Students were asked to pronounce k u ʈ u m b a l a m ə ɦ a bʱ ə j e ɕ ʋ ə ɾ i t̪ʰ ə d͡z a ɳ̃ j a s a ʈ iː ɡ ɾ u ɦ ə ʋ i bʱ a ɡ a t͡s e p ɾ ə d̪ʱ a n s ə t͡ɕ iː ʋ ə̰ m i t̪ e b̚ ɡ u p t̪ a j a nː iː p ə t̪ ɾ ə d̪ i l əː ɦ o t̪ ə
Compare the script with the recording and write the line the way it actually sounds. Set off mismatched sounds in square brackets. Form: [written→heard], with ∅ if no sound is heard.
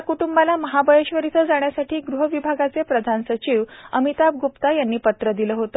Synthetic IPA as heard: k u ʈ u m b a l a m ə ɦ a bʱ ə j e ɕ ʋ ə ɾ i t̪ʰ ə d͡z a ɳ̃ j a s a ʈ iː ɡ ɾ u ɦ ə ʋ i bʱ a ɡ a t͡s e p ɾ ə d̪ʱ a n s ə t͡ɕ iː ʋ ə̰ m i t̪ [e→a] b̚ ɡ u p t̪ a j a nː iː p ə t̪ ɾ ə d̪ i l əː ɦ o t̪ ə